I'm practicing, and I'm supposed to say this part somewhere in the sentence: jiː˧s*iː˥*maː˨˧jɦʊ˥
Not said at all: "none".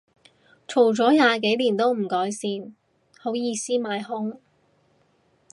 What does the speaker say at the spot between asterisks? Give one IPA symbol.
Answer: iː˥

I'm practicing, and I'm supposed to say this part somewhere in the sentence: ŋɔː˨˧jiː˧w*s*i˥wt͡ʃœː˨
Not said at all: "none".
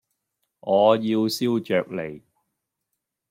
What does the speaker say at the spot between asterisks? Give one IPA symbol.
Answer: s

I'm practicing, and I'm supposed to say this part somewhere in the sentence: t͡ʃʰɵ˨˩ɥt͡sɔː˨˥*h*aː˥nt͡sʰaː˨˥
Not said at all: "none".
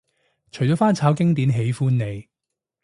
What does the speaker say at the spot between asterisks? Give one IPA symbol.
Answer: f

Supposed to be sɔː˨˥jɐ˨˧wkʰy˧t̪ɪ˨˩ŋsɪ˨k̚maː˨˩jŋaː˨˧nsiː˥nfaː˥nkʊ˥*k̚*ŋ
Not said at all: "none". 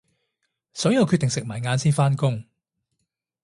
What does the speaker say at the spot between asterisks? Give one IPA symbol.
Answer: none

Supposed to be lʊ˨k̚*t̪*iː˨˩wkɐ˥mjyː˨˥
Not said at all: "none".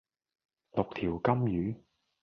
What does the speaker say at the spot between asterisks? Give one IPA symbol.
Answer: t̪ʰ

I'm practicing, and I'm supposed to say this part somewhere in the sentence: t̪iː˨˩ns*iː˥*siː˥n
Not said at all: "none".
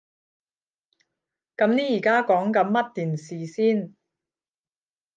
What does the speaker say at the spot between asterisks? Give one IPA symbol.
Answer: iː˨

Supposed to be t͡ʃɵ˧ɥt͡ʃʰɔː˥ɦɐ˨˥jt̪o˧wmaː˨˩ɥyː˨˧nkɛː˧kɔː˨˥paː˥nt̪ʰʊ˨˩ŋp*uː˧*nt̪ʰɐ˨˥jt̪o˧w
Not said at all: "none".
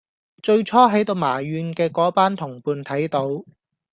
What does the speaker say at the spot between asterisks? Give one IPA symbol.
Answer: uː˧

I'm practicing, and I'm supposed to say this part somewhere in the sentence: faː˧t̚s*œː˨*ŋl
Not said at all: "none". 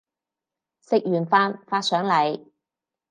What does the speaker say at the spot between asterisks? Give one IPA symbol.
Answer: œː˨˥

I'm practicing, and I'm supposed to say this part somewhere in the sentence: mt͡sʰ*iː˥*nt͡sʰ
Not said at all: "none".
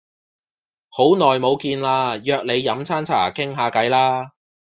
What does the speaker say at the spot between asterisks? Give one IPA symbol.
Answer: aː˥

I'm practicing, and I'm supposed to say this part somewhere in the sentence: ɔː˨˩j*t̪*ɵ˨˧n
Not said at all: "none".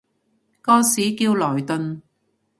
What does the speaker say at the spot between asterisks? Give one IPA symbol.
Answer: t̪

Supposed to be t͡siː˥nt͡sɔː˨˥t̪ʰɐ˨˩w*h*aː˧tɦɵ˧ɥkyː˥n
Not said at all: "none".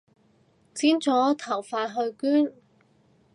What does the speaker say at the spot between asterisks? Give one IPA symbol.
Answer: f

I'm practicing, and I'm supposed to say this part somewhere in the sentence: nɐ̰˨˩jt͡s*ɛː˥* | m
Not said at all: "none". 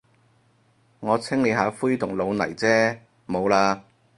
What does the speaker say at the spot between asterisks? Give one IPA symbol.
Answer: ɛː˥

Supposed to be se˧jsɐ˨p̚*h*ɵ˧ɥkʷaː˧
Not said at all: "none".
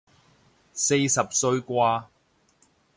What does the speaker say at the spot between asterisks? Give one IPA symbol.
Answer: s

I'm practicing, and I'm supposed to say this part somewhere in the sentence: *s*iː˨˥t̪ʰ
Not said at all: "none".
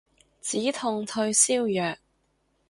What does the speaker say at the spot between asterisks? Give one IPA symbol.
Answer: t͡s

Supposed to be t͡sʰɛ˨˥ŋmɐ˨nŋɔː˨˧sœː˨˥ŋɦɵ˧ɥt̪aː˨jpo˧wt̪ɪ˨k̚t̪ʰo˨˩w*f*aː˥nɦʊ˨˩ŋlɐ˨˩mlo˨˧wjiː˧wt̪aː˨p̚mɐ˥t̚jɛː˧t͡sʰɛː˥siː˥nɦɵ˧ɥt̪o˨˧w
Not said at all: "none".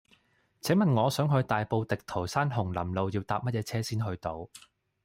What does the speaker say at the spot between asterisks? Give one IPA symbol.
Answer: s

